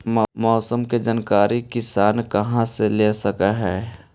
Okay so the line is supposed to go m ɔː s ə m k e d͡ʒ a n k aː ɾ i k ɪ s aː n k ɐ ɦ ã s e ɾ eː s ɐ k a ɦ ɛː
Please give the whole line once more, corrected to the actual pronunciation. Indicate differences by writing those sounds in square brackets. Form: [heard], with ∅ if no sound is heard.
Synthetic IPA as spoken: m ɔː s ə m k e d͡ʒ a n k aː ɾ i k ɪ s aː n k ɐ ɦ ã s e [l] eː s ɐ k a ɦ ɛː